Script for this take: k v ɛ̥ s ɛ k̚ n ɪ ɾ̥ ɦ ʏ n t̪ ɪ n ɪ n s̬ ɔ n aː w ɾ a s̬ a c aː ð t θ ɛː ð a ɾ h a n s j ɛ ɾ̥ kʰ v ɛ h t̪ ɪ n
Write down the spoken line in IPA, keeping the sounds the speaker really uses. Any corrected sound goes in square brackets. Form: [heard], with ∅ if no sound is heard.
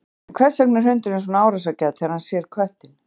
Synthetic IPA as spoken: [kʰ] v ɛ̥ s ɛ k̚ n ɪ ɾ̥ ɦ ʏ n t̪ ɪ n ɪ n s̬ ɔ n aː w ɾ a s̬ a c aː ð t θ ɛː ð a ɾ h a n s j ɛ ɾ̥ kʰ v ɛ h t̪ ɪ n